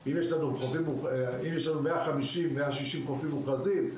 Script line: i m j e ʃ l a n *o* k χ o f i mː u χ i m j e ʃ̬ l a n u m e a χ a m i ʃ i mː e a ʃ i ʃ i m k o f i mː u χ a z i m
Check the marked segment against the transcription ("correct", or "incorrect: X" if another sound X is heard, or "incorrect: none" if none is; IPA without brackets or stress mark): incorrect: u